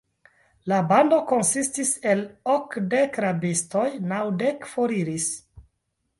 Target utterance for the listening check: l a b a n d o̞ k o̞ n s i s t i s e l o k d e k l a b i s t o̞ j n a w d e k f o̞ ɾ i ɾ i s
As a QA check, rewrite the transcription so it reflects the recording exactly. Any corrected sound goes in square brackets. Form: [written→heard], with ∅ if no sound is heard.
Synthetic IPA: l a b a n d o̞ k o̞ n s i s t i s e l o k d e k [l→ɾ] a b i s t o̞ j n a w d e k f o̞ ɾ i ɾ i s